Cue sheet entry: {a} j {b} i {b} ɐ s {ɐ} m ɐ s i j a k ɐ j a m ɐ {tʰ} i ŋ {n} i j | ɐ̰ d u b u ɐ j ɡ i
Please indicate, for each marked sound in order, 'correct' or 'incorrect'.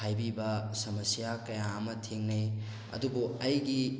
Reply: correct, correct, correct, correct, correct, correct

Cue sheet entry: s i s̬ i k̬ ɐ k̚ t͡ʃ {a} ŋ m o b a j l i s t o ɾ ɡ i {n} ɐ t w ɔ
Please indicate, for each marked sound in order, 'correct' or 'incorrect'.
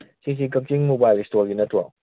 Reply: incorrect: i, correct

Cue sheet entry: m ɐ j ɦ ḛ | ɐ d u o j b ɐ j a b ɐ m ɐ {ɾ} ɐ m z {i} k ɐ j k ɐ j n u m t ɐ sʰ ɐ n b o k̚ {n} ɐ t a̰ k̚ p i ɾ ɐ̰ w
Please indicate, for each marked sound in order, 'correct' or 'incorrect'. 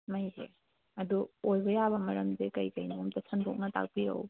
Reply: correct, incorrect: e, correct

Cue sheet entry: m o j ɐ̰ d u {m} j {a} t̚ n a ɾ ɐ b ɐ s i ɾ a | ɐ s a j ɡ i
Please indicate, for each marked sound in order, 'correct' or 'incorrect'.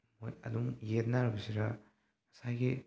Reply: incorrect: ŋ, incorrect: e

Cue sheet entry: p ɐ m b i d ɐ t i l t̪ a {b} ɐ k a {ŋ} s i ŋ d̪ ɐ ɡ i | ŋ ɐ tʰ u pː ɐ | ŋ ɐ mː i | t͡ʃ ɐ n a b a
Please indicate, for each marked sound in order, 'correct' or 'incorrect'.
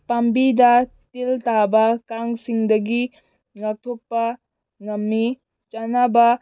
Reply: correct, correct

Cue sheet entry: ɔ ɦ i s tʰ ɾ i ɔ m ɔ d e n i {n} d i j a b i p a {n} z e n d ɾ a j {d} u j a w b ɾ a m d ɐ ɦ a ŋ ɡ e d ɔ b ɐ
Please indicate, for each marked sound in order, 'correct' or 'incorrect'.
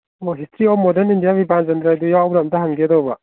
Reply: correct, correct, correct

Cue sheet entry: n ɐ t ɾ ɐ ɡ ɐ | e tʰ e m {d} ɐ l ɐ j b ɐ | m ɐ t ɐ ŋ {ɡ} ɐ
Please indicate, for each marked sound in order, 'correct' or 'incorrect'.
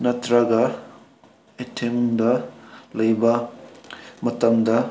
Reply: correct, incorrect: d

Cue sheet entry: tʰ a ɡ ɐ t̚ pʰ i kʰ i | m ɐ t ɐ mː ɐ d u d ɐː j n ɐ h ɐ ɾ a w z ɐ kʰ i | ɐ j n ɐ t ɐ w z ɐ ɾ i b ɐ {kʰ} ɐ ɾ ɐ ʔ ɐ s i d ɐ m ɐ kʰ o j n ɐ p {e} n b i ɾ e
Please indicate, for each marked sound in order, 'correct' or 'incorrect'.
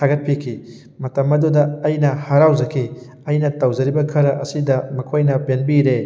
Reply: correct, correct

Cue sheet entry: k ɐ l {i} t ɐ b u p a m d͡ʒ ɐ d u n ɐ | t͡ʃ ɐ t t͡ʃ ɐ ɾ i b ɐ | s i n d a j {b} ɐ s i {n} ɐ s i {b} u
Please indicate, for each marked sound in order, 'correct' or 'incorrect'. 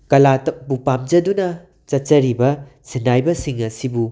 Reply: incorrect: a, correct, incorrect: ŋ, correct

